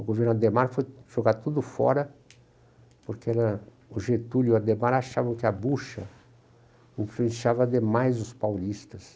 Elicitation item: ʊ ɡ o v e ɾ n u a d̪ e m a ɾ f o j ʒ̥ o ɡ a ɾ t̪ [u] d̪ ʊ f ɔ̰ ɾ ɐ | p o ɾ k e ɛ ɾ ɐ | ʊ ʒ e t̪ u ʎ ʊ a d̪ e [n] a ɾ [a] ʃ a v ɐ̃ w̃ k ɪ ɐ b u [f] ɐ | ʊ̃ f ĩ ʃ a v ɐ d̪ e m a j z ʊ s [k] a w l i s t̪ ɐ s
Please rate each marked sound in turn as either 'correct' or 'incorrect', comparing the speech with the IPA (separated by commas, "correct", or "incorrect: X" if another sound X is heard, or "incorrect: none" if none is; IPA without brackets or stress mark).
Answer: correct, incorrect: m, correct, incorrect: ʃ, incorrect: p